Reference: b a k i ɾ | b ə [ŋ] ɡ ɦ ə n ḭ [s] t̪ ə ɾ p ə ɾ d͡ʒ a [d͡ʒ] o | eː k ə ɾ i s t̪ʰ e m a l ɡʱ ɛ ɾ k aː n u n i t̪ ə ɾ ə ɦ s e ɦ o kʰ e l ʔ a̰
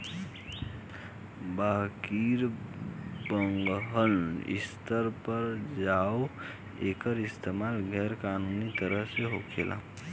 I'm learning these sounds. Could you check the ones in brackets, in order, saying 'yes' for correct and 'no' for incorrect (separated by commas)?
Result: yes, yes, no